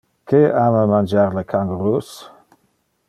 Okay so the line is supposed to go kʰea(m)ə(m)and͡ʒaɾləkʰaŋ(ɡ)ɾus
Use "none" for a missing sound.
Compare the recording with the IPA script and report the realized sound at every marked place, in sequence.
m, m, ɡ

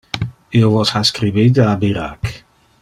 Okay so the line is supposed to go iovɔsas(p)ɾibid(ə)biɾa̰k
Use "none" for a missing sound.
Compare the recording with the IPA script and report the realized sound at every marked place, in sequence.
k, a

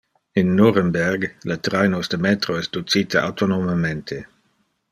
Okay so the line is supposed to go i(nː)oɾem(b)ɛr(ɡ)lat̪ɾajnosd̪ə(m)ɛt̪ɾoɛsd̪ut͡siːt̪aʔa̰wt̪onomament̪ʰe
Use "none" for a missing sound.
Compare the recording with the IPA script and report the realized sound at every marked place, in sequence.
nː, b, ɡ, m

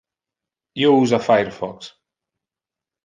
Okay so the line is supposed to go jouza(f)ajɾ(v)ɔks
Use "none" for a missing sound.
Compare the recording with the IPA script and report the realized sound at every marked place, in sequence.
f, f

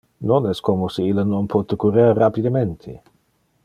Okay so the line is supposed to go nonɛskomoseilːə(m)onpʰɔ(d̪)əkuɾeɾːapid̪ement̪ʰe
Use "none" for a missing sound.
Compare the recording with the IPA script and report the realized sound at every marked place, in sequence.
n, t̪

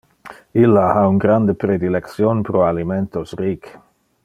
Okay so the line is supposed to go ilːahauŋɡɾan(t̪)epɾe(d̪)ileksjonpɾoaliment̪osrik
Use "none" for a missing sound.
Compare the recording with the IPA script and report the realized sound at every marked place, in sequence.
d̪, d̪

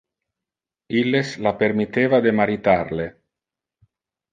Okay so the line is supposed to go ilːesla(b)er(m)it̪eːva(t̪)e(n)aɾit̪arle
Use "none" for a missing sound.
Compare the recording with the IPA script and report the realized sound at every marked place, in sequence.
p, m, d̪, m

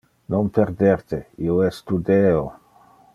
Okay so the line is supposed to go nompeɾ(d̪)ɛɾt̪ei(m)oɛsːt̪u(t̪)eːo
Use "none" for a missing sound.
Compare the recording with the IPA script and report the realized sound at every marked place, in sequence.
d̪, none, d̪

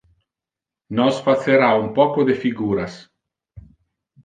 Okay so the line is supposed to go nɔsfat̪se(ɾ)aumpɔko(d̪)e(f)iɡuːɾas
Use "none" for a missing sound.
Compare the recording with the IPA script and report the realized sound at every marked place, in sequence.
ɾ, d̪, f

